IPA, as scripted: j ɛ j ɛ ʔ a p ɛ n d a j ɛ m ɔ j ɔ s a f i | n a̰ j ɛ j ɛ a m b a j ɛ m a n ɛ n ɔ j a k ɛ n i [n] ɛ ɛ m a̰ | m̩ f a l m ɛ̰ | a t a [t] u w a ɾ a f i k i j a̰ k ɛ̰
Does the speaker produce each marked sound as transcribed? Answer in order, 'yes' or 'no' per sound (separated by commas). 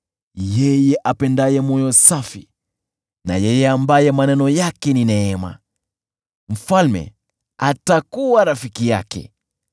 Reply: yes, no